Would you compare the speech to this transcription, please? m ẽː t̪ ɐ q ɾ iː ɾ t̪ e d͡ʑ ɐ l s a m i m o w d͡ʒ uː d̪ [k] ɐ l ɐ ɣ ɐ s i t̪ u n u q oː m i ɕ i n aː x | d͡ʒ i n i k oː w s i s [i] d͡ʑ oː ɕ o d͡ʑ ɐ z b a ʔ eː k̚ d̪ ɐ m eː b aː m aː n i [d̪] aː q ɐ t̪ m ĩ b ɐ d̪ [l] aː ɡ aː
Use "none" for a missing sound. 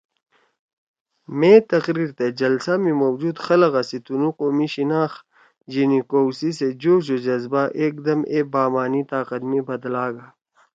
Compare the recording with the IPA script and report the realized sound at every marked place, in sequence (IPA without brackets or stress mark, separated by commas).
x, e, t̪, l